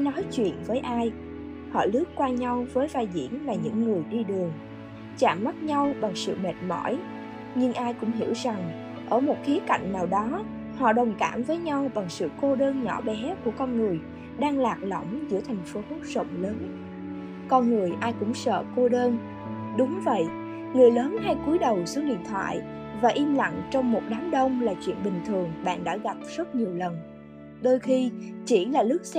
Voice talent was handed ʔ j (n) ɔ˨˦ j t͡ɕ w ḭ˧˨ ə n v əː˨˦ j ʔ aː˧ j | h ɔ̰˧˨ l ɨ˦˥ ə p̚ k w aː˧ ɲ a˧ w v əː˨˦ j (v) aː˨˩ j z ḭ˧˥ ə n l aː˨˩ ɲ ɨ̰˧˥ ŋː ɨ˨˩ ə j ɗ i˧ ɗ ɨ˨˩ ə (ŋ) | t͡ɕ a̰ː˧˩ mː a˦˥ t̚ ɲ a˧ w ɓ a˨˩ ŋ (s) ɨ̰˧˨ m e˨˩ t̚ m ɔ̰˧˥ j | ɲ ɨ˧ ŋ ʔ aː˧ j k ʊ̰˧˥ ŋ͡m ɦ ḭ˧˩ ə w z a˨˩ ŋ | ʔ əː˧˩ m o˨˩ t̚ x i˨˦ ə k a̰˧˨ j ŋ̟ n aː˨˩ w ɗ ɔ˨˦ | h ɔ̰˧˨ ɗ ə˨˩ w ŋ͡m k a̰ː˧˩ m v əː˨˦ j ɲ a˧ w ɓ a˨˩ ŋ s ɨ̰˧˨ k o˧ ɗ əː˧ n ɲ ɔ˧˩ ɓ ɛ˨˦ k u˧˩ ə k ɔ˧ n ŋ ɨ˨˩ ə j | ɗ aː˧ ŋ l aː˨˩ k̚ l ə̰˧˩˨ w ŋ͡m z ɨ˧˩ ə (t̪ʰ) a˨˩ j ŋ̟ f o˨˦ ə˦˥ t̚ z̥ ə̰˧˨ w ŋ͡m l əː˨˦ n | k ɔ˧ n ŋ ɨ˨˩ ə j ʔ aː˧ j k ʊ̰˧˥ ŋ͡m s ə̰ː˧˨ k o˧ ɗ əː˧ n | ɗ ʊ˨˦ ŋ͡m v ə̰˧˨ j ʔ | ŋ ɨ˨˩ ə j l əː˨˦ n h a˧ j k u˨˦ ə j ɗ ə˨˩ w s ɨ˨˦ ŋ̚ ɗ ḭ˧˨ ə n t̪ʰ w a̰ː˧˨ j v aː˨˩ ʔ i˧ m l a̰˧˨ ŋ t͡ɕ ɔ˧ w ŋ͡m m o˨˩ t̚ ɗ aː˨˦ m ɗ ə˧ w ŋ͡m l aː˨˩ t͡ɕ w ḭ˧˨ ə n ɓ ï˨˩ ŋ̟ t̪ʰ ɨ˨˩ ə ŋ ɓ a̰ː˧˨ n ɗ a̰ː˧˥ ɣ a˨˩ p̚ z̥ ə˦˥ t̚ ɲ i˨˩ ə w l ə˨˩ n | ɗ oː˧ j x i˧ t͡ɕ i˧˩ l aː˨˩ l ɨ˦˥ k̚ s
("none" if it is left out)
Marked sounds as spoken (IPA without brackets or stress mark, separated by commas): n, v, ŋ, s, t̪ʰ